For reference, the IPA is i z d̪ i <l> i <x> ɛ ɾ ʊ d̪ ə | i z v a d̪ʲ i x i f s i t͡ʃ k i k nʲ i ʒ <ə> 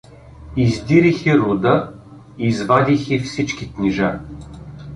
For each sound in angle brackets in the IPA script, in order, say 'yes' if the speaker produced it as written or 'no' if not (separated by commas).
no, yes, no